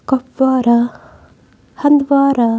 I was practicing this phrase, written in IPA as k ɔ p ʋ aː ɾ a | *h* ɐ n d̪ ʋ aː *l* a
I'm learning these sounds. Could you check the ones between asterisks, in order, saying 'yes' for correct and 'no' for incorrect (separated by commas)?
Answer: yes, no